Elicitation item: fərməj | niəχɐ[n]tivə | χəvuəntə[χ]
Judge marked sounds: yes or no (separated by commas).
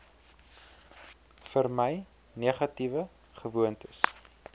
no, no